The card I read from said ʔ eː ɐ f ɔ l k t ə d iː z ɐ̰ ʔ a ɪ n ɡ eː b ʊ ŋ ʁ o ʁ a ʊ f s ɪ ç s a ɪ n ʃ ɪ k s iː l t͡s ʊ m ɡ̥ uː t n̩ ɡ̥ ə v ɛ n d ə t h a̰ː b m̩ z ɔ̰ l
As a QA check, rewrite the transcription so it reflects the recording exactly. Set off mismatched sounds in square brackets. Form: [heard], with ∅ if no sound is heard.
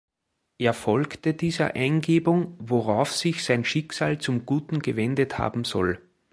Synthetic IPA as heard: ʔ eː ɐ f ɔ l k t ə d iː z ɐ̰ ʔ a ɪ n ɡ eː b ʊ ŋ [v] o ʁ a ʊ f s ɪ ç s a ɪ n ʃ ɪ k s [aː] l t͡s ʊ m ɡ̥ uː t n̩ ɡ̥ ə v ɛ n d ə t h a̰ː b m̩ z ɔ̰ l